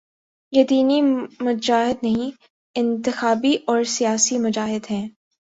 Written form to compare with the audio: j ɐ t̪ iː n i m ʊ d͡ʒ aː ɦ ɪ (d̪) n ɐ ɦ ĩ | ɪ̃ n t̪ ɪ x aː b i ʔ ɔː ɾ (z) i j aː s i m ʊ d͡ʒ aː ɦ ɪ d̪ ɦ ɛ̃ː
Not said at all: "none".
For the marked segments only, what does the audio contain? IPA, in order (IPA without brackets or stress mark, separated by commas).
d̪, s